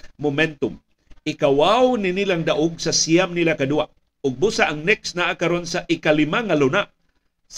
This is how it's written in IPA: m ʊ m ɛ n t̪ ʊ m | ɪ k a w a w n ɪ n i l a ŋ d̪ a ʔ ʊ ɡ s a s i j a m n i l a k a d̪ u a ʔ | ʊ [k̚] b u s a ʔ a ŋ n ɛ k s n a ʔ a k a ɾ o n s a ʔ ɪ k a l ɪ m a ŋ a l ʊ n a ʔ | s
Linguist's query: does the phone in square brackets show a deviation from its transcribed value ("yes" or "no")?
yes